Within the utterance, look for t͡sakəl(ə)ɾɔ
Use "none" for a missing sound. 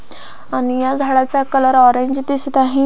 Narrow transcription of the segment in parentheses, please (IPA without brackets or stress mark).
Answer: ə